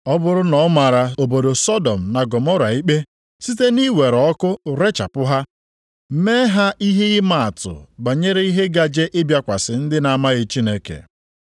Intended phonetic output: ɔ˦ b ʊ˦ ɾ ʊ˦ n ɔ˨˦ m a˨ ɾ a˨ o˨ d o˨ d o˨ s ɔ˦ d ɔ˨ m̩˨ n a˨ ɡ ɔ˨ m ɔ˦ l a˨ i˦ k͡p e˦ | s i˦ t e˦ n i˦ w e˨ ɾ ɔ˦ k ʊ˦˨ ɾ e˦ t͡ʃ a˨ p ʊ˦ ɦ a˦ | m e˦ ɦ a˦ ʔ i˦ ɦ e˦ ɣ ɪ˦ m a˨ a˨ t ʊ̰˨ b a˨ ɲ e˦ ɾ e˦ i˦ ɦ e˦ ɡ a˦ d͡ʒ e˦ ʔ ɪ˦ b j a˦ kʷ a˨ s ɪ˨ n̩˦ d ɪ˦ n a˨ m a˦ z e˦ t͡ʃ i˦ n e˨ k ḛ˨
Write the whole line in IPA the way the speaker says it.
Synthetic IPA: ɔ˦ b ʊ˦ ɾ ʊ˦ n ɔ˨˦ m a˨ ɾ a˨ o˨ b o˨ d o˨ s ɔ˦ d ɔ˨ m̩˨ n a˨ ɡ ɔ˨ m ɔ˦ ɾ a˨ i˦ k͡p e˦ | s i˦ t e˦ n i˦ w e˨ ɾ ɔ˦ k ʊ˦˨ ɾ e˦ t͡ʃ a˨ p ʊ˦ ɦ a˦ | m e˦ ɦ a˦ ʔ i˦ ɦ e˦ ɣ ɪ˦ m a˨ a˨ t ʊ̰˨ b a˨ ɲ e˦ ɾ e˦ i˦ ɦ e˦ ɡ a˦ d͡ʒ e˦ ʔ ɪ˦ b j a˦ kʷ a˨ s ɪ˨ n̩˦ d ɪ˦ n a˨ m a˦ ɣ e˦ t͡ʃ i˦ n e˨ k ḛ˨

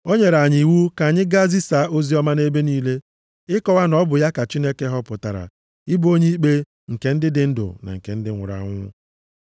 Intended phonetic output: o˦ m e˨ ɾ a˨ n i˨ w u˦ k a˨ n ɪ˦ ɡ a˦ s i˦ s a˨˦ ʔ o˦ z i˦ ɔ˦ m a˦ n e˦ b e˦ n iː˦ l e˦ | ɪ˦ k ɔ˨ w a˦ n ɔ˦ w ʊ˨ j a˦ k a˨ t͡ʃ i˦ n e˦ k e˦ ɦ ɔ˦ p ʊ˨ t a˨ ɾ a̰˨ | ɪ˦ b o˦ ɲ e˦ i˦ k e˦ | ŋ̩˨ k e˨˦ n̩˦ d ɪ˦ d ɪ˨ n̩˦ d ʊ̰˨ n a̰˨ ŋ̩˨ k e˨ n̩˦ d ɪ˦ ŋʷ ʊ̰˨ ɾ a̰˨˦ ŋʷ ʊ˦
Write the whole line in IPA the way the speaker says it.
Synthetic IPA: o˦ ɲ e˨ ɾ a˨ ɲ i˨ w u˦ k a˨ ɲ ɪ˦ ɡ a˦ z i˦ s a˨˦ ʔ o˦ z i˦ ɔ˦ m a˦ n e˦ b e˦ n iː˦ l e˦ | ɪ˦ k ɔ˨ w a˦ n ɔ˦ b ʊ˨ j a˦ k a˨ t͡ʃ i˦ n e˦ k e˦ ɦ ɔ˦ p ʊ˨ t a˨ ɾ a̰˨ | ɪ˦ b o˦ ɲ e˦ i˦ k͡p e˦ | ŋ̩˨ k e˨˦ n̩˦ d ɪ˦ d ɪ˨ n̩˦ d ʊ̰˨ n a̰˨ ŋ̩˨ k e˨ n̩˦ d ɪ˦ ŋʷ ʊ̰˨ ɾ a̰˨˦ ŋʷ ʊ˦

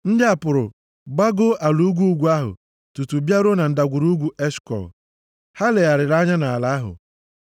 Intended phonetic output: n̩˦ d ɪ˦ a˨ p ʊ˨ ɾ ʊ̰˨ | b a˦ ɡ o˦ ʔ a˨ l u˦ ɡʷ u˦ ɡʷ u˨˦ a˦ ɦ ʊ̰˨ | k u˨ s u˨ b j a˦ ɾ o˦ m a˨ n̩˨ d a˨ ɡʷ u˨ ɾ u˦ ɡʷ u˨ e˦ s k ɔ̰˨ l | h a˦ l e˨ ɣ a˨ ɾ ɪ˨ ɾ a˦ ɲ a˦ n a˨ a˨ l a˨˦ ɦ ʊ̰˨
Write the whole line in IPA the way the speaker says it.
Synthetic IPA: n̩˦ d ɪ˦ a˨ p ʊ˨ ɾ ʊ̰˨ | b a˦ ɡ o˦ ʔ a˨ l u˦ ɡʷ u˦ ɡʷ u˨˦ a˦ ɦ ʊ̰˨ | t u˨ t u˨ b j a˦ ɾ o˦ n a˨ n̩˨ d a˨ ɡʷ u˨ ɾ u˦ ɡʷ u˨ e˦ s k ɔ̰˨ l | h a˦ l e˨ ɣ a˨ ɾ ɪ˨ ɾ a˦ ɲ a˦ n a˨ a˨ l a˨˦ ɦ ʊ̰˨

